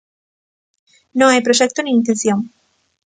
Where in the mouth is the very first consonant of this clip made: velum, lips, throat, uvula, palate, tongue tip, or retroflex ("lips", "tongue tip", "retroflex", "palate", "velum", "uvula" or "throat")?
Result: tongue tip